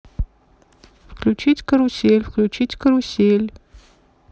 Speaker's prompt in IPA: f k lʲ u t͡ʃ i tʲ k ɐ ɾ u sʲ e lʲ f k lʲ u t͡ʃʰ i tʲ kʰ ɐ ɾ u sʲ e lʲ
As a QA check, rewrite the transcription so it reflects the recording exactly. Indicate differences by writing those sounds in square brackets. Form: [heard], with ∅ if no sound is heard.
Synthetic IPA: f k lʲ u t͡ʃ i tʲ k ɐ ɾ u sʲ e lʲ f k lʲ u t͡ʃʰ i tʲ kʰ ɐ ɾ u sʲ e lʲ